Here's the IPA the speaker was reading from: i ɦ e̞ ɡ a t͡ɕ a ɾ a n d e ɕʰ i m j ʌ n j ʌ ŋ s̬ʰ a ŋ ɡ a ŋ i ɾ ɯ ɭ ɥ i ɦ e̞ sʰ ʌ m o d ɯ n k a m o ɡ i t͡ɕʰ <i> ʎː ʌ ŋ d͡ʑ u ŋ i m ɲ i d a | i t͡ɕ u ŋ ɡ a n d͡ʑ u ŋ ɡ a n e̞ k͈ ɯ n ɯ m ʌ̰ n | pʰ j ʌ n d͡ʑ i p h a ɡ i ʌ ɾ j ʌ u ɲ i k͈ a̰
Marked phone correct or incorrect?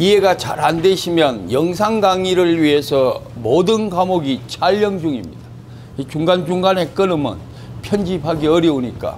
incorrect